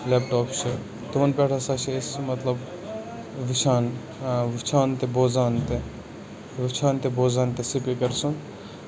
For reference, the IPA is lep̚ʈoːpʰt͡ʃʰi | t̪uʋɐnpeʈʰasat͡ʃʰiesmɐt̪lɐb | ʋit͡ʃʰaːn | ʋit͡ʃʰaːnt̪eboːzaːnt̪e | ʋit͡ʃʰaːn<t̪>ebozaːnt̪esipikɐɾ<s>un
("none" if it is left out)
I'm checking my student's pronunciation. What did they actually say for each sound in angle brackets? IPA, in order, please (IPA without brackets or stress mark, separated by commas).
t̪, s